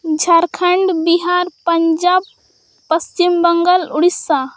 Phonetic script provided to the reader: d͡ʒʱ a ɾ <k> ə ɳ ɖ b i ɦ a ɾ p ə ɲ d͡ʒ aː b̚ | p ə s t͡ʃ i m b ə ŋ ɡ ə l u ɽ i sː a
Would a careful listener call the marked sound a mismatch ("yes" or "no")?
yes